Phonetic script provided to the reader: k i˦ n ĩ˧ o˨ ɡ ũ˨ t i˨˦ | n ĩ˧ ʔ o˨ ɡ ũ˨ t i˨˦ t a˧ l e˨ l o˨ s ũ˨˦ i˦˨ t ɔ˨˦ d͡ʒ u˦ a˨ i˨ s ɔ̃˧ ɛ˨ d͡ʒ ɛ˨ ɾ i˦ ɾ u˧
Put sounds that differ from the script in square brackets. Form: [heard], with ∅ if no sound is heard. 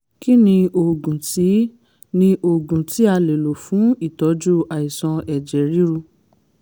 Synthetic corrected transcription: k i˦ n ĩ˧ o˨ ɡ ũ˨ t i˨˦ | n ĩ˧ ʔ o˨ ɡ ũ˨ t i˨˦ [∅] a˧ l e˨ l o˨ [f] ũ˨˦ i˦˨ t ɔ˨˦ d͡ʒ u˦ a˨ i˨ s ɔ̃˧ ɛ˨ d͡ʒ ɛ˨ ɾ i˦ ɾ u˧